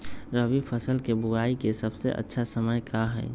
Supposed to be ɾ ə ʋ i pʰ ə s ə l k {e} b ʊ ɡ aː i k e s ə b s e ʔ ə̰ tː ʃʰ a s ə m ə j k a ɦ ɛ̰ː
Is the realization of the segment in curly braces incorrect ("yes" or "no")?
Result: no